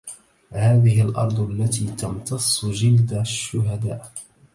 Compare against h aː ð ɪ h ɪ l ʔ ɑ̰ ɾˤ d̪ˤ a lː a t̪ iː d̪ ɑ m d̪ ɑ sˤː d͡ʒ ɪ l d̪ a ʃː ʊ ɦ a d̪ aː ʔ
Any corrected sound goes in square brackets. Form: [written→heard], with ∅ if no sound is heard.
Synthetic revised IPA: h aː ð ɪ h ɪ l ʔ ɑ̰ ɾˤ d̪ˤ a lː a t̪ iː [d̪→t̪] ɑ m [d̪→t̪] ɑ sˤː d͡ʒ ɪ l d̪ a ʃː ʊ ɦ a d̪ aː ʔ